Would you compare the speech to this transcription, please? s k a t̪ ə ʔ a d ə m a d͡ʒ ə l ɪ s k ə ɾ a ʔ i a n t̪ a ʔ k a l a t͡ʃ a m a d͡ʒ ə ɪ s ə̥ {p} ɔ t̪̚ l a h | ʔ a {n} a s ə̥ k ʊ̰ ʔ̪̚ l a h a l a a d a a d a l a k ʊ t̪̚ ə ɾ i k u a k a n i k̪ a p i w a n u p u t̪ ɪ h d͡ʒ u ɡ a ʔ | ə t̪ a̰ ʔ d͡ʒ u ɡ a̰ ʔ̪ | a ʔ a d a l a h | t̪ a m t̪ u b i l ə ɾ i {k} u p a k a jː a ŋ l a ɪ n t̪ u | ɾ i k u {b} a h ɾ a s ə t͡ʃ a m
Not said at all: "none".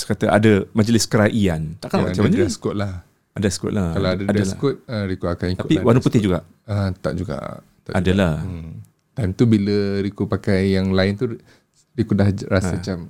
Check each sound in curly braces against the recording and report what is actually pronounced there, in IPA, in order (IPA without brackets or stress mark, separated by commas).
k, d, k, d